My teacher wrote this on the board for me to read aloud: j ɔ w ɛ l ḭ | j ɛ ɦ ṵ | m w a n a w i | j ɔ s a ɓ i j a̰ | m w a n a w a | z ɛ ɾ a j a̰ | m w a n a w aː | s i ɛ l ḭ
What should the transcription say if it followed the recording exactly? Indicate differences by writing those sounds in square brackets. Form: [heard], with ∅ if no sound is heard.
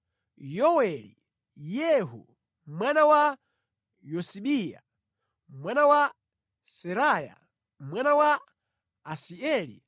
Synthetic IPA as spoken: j ɔ w ɛ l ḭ | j ɛ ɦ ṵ | m w a n a w [a] | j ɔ s [i] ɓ i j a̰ | m w a n a w a | [s] ɛ ɾ a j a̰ | m w a n a w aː | s i ɛ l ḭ